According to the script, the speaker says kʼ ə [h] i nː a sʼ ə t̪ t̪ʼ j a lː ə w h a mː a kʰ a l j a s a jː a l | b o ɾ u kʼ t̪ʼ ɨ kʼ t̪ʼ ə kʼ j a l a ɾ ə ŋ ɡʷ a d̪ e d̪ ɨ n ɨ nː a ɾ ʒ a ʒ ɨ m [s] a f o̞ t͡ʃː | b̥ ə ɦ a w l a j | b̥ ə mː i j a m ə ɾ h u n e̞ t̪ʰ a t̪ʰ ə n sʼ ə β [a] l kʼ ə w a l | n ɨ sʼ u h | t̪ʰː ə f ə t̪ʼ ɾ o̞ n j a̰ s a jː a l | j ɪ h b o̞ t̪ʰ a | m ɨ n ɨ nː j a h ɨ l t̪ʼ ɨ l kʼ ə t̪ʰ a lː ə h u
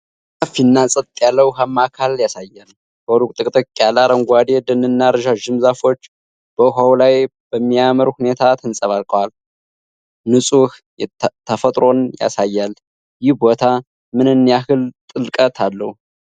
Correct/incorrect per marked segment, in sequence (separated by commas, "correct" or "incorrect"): incorrect, incorrect, correct